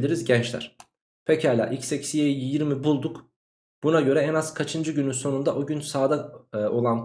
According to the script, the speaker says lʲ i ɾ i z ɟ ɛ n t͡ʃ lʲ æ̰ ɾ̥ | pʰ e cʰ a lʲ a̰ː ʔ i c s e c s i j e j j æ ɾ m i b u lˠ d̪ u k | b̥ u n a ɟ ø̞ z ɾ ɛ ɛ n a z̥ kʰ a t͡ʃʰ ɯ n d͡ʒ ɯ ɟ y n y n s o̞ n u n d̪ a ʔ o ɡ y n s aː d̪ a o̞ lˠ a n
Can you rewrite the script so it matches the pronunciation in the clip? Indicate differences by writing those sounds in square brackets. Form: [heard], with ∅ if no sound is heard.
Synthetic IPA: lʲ i ɾ i z ɟ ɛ n t͡ʃ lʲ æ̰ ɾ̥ | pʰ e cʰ a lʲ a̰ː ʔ i c s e c s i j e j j [i] ɾ m i b u lˠ d̪ u k | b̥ u n a ɟ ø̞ [∅] ɾ ɛ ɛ n a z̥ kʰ a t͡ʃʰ ɯ n d͡ʒ ɯ ɟ y n y n s o̞ n u n d̪ a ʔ o [ɟ] y n s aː d̪ a o̞ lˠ a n

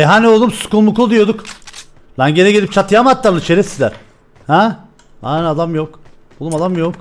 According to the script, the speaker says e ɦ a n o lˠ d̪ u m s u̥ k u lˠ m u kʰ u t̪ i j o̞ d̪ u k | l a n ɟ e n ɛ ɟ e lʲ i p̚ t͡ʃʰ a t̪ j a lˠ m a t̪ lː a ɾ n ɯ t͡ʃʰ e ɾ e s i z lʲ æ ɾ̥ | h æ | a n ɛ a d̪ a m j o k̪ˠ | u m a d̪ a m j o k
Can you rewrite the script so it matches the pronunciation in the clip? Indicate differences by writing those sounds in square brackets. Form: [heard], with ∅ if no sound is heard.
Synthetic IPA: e ɦ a n o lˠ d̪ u m s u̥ k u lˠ m u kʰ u [d̪] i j o̞ d̪ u k | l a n ɟ e n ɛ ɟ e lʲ i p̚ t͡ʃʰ a t̪ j a [∅] m a t̪ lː a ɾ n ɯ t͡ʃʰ e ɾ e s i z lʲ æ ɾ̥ | h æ | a n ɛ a d̪ a m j o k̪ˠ | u m a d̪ a m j o k

